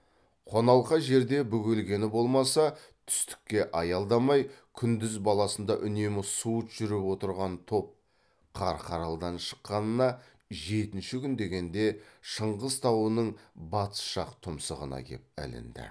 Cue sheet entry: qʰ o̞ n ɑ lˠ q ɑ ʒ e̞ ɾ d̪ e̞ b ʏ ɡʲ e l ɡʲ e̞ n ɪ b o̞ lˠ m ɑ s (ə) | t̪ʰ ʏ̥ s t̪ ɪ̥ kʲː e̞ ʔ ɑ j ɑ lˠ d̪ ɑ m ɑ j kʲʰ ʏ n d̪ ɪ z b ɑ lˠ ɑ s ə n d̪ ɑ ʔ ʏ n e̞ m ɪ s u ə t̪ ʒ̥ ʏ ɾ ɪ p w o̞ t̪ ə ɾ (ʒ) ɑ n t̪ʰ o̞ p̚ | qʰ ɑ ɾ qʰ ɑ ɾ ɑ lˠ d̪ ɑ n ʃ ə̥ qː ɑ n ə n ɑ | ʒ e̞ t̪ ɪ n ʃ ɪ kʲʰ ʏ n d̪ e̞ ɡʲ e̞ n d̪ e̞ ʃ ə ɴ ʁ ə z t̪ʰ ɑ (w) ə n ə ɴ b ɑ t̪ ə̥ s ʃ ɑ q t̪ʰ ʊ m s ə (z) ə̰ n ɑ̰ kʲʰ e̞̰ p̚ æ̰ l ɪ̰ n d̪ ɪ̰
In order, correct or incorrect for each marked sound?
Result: incorrect: ɑ, incorrect: ʁ, correct, incorrect: ʁ

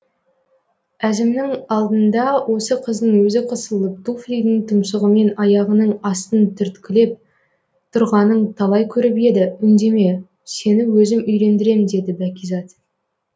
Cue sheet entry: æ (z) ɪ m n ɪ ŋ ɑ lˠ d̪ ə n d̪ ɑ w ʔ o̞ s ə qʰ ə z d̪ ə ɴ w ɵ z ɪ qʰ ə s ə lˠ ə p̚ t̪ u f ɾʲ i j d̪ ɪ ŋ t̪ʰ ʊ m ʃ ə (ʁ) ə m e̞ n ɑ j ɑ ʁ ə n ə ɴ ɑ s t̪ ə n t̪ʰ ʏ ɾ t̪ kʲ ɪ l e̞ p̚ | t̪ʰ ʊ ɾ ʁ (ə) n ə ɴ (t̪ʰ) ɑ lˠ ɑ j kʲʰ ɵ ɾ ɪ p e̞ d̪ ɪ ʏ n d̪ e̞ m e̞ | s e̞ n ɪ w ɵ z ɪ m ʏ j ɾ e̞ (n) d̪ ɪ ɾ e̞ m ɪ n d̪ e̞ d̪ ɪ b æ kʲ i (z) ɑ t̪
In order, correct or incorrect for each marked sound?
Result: correct, correct, incorrect: ɑ, correct, correct, correct

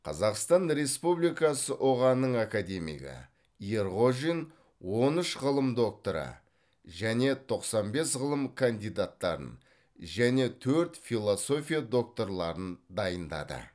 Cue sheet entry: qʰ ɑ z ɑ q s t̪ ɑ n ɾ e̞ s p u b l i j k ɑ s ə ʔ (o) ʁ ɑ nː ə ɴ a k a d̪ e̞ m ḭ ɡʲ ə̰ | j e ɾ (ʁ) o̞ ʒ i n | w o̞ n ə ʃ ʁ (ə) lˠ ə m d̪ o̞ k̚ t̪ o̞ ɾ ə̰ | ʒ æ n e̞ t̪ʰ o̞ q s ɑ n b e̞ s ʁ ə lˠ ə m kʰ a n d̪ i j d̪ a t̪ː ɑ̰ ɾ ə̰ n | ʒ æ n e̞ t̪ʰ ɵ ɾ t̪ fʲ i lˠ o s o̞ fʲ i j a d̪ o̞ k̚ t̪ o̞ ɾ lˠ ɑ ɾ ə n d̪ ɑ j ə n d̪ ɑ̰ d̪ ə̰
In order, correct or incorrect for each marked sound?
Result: correct, correct, correct

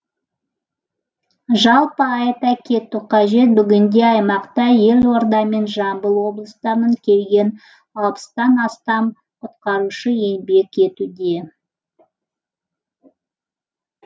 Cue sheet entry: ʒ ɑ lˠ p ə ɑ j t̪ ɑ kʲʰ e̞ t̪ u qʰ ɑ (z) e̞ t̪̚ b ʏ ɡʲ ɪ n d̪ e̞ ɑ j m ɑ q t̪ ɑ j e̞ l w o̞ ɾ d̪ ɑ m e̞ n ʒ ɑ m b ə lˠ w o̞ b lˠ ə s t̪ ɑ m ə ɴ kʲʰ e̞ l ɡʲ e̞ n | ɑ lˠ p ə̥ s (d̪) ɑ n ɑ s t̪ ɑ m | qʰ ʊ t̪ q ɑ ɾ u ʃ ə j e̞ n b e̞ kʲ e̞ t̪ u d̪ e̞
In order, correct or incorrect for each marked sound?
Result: incorrect: ʒ, incorrect: t̪

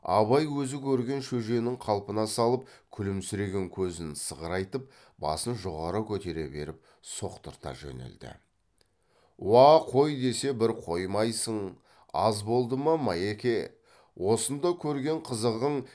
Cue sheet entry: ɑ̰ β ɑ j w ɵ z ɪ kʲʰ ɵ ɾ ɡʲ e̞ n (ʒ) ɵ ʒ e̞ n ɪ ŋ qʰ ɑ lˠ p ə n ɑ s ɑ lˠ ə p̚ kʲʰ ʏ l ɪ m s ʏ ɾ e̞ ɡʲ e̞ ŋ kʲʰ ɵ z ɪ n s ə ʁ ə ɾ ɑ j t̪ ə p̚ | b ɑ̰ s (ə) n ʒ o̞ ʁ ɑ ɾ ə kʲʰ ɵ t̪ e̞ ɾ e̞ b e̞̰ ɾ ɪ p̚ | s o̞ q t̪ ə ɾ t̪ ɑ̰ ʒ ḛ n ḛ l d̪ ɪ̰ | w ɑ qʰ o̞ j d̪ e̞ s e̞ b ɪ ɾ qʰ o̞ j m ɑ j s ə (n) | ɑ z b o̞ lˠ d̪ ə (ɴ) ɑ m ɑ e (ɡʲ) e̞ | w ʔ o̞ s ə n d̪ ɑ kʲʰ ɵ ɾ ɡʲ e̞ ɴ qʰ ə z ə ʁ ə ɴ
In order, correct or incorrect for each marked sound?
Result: incorrect: ʃ, correct, incorrect: ɴ, incorrect: m, incorrect: kʲ

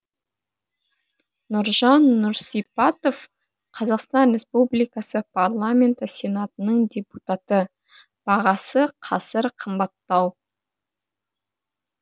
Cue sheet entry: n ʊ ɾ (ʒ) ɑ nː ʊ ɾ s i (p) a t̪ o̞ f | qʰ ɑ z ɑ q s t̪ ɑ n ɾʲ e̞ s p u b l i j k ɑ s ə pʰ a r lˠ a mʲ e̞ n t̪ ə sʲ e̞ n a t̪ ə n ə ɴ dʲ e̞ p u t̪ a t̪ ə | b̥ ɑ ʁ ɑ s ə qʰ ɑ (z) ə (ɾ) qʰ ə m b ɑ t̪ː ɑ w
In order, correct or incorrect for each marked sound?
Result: correct, correct, incorrect: s, correct

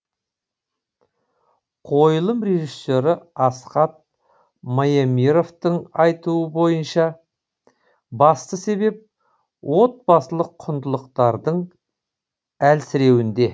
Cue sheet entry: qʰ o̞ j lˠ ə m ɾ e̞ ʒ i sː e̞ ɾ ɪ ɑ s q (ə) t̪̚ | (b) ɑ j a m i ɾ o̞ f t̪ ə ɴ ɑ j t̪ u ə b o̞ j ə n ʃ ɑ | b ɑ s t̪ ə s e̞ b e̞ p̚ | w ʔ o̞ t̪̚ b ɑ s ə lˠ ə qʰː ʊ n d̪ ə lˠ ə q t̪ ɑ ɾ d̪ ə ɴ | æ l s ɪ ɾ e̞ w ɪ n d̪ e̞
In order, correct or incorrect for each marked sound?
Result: incorrect: ɑ, incorrect: m

